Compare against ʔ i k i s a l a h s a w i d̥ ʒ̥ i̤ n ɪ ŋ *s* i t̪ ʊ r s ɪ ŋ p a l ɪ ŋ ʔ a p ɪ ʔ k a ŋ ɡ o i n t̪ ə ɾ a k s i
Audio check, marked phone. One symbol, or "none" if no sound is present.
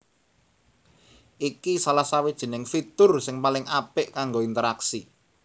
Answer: f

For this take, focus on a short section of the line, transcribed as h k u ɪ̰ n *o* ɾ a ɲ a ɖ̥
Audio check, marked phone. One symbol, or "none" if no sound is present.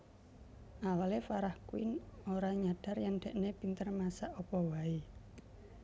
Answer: o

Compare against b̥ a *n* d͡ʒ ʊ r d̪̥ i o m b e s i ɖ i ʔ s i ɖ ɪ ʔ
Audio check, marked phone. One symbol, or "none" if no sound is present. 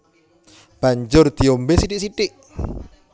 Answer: ɲ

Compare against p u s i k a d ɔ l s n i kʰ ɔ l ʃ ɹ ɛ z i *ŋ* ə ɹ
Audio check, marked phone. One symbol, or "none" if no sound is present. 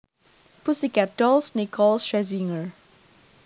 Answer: ŋ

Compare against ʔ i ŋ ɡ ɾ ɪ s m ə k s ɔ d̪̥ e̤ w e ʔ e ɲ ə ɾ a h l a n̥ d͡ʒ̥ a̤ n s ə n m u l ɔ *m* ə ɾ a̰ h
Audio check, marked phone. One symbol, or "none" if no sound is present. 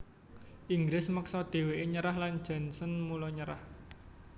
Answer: ɲ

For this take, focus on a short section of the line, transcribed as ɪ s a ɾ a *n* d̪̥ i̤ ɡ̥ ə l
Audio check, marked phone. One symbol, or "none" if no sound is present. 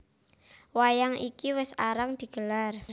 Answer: ŋ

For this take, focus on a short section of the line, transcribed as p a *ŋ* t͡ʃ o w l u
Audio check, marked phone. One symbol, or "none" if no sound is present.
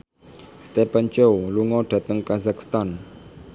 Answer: n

